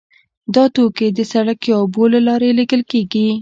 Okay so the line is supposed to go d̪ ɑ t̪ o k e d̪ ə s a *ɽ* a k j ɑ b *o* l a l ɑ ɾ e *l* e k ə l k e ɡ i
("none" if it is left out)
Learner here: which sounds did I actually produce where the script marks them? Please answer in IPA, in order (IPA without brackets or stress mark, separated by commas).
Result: ɽ, o, l